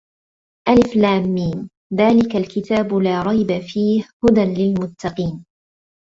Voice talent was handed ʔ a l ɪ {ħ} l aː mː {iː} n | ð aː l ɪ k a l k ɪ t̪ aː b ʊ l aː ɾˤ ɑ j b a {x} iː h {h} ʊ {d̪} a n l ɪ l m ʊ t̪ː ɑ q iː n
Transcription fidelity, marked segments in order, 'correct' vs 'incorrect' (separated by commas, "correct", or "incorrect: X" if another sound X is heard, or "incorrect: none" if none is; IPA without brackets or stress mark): incorrect: f, correct, incorrect: f, correct, correct